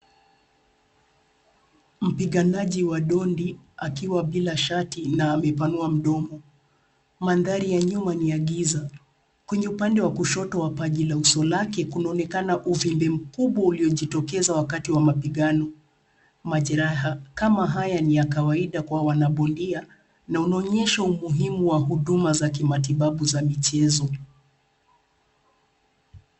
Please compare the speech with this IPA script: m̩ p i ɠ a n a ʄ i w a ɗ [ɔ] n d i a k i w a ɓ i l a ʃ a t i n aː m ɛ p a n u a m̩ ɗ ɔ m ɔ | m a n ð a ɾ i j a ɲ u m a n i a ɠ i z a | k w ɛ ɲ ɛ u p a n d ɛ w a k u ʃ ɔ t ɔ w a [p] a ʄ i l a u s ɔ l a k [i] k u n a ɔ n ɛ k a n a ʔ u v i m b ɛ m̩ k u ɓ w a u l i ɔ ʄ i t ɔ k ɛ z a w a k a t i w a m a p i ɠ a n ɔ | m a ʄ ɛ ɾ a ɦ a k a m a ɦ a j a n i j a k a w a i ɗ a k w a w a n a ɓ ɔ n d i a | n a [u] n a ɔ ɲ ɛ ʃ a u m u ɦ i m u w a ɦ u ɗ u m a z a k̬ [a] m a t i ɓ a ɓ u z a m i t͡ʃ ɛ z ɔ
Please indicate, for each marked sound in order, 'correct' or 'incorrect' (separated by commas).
correct, correct, incorrect, correct, incorrect